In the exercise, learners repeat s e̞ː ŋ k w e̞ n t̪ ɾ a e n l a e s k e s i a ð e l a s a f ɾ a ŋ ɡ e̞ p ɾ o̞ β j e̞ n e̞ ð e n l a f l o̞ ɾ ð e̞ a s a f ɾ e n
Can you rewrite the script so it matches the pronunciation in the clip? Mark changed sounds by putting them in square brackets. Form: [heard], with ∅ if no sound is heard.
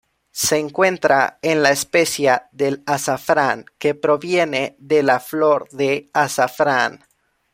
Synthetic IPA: s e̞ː ŋ k w e̞ n t̪ ɾ a e n l a e s [p] e s [j] a ð e l a s a f ɾ a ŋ [k] e̞ p ɾ o̞ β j e̞ n e̞ ð e [∅] l a f l o̞ ɾ ð e̞ a s a f ɾ [a] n